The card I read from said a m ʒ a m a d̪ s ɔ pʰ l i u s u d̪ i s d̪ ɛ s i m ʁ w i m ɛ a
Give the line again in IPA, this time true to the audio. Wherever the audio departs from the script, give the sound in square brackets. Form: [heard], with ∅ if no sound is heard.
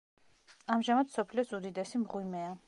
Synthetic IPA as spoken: a m ʒ a m a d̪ s ɔ pʰ l i [ɔ] s u d̪ i [∅] d̪ ɛ s i m ʁ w i m ɛ a